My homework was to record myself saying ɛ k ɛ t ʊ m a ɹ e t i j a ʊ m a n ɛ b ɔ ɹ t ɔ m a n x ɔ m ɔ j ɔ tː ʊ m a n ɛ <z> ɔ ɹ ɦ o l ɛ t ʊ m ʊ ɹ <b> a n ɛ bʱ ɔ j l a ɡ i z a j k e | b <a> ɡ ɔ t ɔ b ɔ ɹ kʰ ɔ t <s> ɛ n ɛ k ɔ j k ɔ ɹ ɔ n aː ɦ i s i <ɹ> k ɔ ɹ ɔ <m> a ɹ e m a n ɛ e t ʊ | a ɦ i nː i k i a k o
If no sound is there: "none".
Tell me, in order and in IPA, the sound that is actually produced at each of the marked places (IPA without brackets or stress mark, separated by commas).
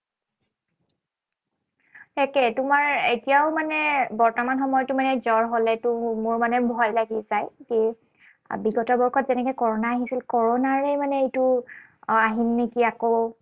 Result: z, m, i, z, l, n